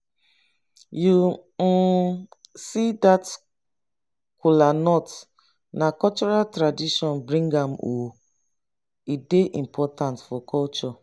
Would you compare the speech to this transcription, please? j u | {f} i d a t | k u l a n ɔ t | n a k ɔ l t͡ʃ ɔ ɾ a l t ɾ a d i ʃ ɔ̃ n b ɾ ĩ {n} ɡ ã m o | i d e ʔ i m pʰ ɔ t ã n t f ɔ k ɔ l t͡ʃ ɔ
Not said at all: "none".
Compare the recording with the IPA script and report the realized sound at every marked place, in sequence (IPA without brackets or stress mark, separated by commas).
s, ŋ